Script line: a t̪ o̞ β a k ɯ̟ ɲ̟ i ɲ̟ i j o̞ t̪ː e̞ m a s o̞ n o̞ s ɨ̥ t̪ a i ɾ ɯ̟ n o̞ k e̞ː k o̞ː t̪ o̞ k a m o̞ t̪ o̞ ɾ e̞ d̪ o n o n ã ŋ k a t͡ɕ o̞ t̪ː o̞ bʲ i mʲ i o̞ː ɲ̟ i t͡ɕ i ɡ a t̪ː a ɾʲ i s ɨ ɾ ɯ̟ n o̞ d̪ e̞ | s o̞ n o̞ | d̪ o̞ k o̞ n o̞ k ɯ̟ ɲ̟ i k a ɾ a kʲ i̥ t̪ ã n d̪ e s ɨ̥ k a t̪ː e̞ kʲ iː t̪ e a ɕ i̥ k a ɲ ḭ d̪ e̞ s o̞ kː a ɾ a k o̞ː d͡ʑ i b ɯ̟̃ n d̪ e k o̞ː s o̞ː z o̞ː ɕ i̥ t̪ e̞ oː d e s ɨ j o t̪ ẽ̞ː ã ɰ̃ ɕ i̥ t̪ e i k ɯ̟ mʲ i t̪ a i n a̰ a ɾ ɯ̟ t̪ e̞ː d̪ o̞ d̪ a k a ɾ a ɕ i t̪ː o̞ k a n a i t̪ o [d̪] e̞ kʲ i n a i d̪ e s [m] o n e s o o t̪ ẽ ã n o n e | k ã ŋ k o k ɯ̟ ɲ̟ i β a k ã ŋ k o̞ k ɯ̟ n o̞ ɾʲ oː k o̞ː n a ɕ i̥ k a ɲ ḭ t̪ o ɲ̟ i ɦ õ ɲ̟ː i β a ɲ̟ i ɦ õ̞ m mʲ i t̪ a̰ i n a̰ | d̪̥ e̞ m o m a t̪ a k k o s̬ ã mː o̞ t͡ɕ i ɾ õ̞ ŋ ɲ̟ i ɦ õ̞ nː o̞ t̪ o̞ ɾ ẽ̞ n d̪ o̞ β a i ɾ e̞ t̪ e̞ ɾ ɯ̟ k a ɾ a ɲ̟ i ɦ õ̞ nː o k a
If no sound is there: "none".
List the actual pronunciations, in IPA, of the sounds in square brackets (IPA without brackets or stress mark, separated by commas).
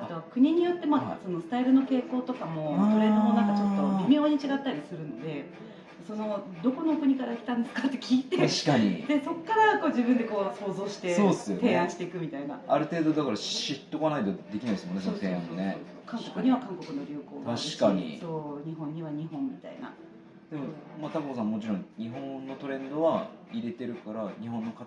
d̪, m